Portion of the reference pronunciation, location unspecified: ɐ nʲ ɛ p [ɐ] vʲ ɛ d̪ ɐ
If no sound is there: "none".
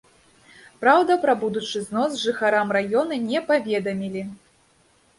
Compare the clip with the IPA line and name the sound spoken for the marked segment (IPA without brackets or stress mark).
a